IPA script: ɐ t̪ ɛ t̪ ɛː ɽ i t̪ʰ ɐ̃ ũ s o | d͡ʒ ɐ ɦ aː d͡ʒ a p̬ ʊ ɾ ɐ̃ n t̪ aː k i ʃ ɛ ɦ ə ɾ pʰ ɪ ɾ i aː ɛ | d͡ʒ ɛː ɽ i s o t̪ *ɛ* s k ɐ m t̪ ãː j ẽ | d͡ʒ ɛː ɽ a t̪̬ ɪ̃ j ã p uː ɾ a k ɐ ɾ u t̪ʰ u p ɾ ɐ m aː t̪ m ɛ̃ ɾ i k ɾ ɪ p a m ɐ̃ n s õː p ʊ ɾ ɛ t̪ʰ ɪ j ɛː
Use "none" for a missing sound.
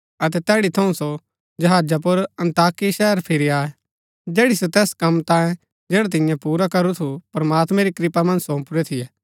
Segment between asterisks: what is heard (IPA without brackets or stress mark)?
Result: ɛː